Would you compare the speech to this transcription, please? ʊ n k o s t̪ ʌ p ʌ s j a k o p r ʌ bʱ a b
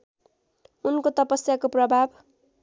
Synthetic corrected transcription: u n k o t̪ ʌ p ʌ s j a k o p r ʌ bʱ a b